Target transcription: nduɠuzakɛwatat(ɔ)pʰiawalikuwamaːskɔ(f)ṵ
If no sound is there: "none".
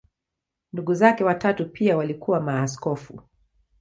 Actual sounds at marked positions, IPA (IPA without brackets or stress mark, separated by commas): u, f